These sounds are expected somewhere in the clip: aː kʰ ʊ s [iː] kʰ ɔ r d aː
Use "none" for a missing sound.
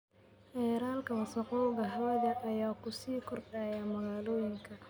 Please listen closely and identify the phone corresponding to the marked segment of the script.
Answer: iː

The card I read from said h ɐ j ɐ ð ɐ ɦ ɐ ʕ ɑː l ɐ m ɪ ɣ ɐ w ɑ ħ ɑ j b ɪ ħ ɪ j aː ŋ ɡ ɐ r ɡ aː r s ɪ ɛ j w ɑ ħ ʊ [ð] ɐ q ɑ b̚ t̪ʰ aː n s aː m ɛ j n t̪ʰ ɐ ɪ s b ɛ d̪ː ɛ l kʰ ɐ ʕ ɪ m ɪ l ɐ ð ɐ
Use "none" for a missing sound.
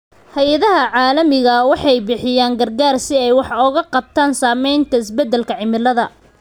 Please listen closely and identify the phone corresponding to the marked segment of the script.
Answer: ɣ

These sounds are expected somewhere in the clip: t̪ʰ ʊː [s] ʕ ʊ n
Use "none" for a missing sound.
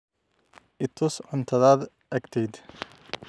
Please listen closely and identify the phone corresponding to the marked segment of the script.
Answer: s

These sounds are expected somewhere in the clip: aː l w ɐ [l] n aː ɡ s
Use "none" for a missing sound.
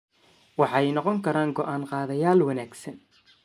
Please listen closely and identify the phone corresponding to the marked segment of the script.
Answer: none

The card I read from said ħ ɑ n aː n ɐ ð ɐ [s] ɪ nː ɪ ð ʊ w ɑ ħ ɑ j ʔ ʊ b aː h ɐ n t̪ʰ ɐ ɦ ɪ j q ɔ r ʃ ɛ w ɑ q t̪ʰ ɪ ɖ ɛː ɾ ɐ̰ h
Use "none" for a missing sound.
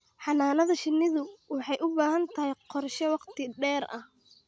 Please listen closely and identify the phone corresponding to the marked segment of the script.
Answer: ʃ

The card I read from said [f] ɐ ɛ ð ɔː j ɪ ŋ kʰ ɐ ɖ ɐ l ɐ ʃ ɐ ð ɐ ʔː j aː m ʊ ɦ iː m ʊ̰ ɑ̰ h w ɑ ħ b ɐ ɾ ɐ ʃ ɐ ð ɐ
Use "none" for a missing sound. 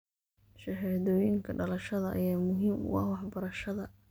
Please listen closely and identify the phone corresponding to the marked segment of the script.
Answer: ʃ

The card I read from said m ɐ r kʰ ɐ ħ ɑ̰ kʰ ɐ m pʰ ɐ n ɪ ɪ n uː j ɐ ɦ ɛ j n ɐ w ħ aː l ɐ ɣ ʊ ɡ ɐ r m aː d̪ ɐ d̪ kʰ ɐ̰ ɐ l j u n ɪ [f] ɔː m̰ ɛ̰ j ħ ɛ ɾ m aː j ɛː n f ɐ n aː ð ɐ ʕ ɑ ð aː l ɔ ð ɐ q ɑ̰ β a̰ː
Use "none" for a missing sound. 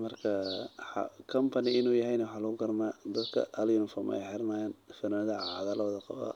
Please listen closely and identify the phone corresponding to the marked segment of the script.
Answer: f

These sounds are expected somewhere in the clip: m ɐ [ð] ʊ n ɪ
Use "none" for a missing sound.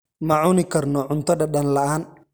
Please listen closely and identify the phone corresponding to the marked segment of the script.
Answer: ʕ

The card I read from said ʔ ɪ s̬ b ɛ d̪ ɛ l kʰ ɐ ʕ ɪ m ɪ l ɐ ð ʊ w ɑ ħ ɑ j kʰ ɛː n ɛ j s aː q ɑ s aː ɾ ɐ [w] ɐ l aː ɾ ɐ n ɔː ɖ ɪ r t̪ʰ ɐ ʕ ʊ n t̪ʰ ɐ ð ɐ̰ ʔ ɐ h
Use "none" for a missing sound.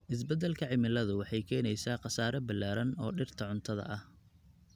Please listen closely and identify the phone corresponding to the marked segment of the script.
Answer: b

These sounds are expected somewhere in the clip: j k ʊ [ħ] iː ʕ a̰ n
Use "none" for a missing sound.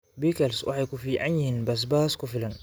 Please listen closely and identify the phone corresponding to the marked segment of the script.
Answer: f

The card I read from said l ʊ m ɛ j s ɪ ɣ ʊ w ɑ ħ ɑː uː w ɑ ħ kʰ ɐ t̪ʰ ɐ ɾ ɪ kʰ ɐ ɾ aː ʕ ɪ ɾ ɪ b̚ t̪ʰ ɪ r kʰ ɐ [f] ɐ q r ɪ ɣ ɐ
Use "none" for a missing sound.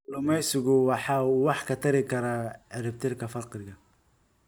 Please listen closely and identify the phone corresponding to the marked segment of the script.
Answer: f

